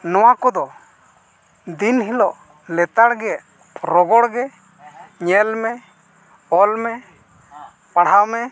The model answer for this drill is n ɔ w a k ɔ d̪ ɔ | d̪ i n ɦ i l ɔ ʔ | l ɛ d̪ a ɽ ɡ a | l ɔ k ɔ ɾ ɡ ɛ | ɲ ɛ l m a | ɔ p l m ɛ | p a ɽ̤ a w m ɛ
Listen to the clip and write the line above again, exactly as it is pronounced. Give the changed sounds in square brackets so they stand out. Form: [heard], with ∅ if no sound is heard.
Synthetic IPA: n ɔ w a k ɔ d̪ ɔ | d̪ i n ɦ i l ɔ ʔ | l ɛ [t̪] a ɽ ɡ [ɛ] | [ɾ] ɔ [ɡ] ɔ [ɽ] ɡ ɛ | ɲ ɛ l m [ɛ] | ɔ [∅] l m ɛ | p a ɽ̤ a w m ɛ